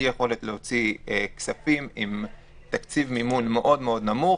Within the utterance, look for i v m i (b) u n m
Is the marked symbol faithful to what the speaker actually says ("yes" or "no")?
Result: no